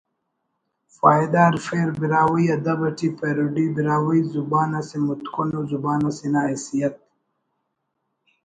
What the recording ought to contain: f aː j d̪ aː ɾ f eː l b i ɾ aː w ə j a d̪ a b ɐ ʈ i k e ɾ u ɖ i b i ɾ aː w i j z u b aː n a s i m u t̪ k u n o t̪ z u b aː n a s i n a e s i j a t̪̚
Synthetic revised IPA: f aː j d̪ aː ɾ f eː ɾ b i ɾ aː w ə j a d̪ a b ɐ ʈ i p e ɾ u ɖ i b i ɾ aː w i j z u b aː n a s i m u t̪ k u n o z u b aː n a s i n a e s i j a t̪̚